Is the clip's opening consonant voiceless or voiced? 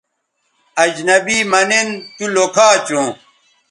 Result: voiced